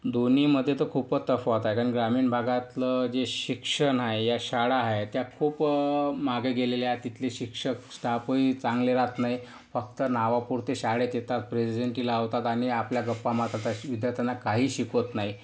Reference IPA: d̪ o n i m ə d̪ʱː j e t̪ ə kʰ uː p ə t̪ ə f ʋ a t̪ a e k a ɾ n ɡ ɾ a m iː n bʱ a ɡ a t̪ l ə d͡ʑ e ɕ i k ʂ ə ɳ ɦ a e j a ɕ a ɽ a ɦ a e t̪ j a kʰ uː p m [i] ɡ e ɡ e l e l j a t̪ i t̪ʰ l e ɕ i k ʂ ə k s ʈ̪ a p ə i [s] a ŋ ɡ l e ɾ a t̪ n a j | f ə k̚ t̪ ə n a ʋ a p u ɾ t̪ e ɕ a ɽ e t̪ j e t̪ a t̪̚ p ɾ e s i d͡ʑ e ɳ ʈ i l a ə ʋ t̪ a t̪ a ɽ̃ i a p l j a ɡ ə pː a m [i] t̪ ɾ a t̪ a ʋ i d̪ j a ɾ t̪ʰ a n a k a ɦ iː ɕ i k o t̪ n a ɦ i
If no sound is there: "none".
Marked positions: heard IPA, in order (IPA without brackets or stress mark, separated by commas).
a, t͡s, a